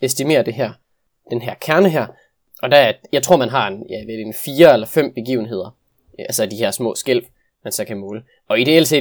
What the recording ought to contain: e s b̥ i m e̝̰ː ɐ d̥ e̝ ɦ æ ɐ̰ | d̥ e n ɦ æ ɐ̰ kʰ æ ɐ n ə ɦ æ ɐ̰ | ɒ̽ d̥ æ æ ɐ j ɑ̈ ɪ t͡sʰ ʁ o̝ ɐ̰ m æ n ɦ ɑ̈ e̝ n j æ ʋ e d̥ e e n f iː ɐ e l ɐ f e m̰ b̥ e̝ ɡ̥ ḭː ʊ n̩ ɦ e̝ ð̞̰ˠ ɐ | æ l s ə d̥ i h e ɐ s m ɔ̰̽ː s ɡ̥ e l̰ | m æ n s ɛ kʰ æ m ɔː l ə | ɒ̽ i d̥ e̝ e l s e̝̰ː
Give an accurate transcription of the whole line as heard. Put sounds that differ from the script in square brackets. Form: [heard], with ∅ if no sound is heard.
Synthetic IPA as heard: e s [d̥] i m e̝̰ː ɐ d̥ e̝ ɦ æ ɐ̰ | d̥ e n ɦ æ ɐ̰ kʰ æ ɐ n ə ɦ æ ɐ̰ | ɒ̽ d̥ æ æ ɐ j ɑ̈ ɪ t͡sʰ ʁ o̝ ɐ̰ m æ n ɦ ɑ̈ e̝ n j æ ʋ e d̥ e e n f iː ɐ e l ɐ f e m̰ b̥ e̝ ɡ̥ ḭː ʊ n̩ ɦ e̝ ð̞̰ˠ ɐ | æ l s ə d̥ i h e ɐ s m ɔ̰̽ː s ɡ̥ e l̰ | m æ n s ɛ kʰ æ m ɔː l ə | ɒ̽ i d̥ e̝ e l s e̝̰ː